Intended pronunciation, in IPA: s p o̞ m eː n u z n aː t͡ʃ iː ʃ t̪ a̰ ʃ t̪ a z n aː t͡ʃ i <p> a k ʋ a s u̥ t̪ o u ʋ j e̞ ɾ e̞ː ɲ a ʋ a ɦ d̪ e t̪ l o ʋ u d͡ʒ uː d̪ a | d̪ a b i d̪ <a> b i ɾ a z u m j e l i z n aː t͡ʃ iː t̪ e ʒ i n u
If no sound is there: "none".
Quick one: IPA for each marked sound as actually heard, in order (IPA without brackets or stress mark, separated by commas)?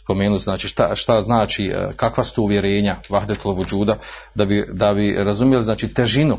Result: k, a